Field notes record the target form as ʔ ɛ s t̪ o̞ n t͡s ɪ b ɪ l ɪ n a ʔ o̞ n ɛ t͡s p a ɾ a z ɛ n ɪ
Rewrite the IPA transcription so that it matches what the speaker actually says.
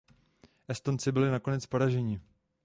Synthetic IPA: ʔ ɛ s t̪ o̞ n t͡s ɪ b ɪ l ɪ n a k o̞ n ɛ t͡s p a ɾ a ʒ ɛ ɲ ɪ